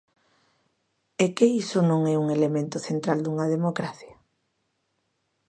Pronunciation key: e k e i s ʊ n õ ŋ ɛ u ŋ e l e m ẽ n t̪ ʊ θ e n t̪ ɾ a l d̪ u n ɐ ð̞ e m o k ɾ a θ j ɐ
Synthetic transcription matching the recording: e k e i s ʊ n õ ŋ ɛ u ŋ e l e m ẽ n t̪ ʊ θ e n t̪ ɾ a l d̪ u ŋ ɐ ð̞ e m o k ɾ a θ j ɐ